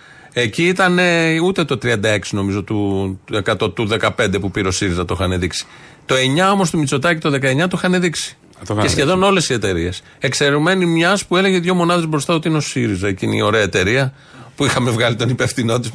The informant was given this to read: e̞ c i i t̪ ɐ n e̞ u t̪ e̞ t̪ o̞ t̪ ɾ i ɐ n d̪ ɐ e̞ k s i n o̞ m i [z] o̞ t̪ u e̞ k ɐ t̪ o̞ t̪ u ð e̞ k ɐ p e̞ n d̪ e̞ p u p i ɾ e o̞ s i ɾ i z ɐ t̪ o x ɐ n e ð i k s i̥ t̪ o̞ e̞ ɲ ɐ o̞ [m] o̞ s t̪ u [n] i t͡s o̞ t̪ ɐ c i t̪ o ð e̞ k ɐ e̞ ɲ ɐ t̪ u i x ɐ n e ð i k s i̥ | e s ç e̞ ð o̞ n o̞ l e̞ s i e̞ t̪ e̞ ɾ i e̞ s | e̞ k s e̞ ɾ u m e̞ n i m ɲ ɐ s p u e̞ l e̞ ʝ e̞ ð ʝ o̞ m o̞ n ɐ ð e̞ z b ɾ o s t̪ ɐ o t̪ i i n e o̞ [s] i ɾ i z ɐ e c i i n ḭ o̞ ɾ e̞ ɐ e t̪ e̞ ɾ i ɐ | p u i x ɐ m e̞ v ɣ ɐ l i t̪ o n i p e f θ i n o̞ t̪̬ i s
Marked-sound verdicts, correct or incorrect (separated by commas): correct, correct, incorrect, correct